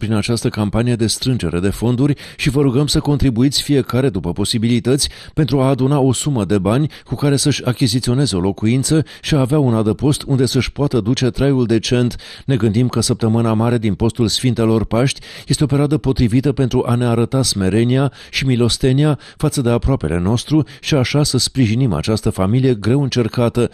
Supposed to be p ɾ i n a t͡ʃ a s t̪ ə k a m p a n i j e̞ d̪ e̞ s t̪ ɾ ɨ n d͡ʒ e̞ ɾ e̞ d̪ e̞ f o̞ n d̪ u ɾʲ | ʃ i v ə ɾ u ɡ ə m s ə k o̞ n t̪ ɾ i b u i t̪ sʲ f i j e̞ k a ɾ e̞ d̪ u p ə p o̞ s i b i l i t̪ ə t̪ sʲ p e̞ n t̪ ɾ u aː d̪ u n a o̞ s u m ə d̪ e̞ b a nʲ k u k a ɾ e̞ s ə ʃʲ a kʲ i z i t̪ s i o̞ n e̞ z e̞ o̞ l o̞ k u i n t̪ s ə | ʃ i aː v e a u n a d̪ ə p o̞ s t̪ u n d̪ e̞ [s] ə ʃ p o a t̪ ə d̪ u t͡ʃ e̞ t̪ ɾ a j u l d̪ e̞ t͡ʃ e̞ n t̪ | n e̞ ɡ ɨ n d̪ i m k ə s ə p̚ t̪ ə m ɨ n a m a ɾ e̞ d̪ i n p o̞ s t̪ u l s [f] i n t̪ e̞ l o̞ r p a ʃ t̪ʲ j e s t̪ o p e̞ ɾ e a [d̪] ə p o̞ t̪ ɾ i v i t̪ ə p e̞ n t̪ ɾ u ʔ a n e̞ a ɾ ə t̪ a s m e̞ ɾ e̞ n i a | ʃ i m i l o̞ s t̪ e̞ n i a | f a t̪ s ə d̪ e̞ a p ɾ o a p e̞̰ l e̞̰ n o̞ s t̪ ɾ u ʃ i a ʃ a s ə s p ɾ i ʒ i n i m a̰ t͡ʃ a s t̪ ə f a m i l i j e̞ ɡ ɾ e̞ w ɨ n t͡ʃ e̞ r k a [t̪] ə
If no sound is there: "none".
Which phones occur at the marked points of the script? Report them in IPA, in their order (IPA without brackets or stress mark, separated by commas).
s, f, d̪, t̪